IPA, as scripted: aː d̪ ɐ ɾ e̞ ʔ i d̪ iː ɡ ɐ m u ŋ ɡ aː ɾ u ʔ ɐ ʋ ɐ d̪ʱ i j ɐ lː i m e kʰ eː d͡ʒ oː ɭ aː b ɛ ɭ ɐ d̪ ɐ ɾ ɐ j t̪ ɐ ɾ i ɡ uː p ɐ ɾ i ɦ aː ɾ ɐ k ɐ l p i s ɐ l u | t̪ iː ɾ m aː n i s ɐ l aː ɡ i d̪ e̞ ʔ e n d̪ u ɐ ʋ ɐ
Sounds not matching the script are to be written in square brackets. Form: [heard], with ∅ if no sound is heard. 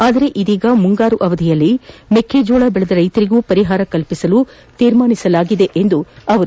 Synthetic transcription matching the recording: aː d̪ ɐ ɾ e̞ ʔ i d̪ iː ɡ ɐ m u ŋ ɡ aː ɾ u ʔ ɐ ʋ ɐ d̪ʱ i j ɐ lː i m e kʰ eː d͡ʒ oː ɭ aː b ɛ ɭ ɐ d̪ ɐ ɾ ɐ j t̪ ɐ ɾ i ɡ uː p ɐ ɾ i ɦ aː ɾ ɐ k ɐ l p i s ɐ l u | t̪ iː ɾ m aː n i s ɐ l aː ɡ i d̪ e̞ ʔ e n d̪ u ɐ ʋ ɐ